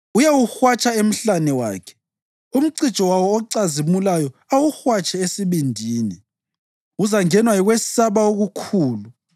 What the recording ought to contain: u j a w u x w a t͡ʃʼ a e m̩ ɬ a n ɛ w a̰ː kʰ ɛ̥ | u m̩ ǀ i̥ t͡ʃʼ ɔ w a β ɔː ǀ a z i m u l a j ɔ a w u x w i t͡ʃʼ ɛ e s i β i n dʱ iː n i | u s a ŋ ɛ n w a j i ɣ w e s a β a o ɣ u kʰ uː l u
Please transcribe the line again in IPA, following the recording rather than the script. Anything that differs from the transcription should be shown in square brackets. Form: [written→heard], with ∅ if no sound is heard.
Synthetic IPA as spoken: u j a w u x w a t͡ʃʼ a e m̩ ɬ a n ɛ w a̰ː kʰ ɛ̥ | u m̩ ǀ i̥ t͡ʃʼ ɔ w a [β→w] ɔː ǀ a z i m u l a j ɔ a w u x w [i→a] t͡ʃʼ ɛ e s i β i n dʱ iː n i | u [s→z] a ŋ ɛ n w a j i ɣ w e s a β a o ɣ u kʰ uː l u

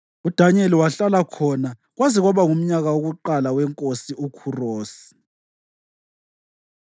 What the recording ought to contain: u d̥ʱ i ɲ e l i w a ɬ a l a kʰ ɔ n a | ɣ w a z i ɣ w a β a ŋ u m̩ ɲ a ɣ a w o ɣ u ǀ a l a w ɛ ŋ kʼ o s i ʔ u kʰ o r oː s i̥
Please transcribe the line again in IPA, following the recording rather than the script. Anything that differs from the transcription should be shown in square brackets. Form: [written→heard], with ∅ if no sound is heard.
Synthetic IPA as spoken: u d̥ʱ [i→a] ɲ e l i w a ɬ a l a kʰ ɔ n a | ɣ w a z i ɣ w a β a ŋ u m̩ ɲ a ɣ a w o ɣ u [ǀ→ǃ] a l a w ɛ ŋ kʼ o s i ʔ u kʰ [o→u] r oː s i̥

